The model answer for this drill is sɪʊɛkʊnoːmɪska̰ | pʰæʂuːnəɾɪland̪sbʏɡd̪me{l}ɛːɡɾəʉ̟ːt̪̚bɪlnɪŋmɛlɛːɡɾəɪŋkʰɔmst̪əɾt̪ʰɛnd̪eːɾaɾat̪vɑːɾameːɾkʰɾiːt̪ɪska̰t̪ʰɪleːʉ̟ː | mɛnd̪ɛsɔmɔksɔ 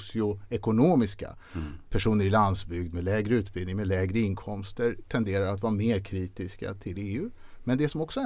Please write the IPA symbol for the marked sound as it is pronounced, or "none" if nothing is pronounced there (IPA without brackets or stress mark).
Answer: l